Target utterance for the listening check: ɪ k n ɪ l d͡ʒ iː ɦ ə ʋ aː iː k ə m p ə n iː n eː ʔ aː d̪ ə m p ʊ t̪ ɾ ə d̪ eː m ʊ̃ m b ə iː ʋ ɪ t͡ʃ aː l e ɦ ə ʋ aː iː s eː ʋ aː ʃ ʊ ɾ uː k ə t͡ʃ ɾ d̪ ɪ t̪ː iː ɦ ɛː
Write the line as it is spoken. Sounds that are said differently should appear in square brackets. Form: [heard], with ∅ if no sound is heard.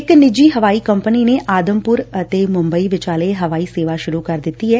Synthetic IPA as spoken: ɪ k n ɪ [∅] d͡ʒ iː ɦ ə ʋ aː iː k ə m p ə n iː n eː ʔ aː d̪ ə m p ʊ [∅] ɾ ə [t̪] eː m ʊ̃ m b ə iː ʋ ɪ t͡ʃ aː l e ɦ ə ʋ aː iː s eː ʋ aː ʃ ʊ ɾ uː k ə [∅] ɾ d̪ ɪ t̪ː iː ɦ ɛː

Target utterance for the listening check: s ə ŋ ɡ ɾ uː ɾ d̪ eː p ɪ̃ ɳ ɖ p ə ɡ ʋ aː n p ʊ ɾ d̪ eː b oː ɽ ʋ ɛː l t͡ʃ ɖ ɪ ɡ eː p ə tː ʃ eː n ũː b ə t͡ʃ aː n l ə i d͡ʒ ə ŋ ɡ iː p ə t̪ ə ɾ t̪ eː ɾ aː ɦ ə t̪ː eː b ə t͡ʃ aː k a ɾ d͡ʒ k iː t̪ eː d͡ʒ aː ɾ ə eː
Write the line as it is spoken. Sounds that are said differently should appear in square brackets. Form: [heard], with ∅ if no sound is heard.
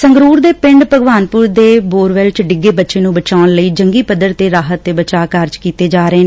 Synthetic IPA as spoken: s ə ŋ ɡ ɾ uː ɾ d̪ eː p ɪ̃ ɳ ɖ p ə ɡ ʋ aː n p ʊ ɾ d̪ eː b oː [ɾ] ʋ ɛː l t͡ʃ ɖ ɪ ɡ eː [b] ə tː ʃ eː n ũː b ə t͡ʃ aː n l ə [iː] d͡ʒ ə ŋ ɡ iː p ə [d̪] ə ɾ t̪ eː ɾ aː ɦ ə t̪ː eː b ə t͡ʃ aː k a ɾ d͡ʒ k iː t̪ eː d͡ʒ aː ɾ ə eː

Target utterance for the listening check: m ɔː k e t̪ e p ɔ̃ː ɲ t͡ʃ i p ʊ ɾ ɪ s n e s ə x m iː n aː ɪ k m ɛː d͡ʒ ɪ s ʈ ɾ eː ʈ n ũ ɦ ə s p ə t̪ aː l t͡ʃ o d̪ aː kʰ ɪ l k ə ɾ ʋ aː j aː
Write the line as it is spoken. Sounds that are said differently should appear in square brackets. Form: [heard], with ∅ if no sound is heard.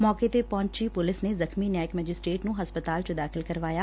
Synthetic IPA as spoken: m ɔː k e t̪ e p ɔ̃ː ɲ t͡ʃ i p ʊ [l] ɪ s n e [z] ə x m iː n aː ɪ k m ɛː d͡ʒ ɪ s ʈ ɾ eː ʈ n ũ ɦ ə s p ə t̪ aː l t͡ʃ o d̪ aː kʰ ɪ l k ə ɾ ʋ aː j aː

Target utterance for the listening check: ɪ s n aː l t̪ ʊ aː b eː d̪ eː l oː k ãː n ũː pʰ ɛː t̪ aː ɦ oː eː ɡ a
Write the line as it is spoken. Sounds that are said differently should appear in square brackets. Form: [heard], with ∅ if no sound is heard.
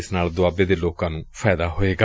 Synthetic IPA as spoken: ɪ s n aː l [d̪] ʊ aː b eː d̪ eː l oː k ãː n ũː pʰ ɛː [d̪] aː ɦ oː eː ɡ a

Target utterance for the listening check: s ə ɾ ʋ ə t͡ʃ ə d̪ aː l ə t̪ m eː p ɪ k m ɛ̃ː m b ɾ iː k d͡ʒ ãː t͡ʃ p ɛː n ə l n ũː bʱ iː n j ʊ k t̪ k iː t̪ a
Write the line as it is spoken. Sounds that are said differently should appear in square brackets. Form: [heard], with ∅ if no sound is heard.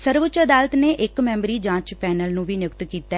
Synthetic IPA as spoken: s ə ɾ ʋ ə t͡ʃ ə d̪ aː l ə t̪ [n] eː [ʔ] ɪ k m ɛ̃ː m b ɾ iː [∅] d͡ʒ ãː t͡ʃ p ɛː n ə l n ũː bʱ iː n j ʊ k t̪ k iː t̪ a

